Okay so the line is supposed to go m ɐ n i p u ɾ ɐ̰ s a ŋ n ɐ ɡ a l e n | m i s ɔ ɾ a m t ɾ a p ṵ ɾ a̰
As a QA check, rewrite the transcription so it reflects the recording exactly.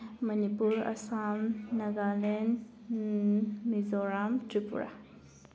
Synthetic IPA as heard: m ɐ n i p u ɾ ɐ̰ s a m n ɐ ɡ a l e n | m i z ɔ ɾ a m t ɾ i p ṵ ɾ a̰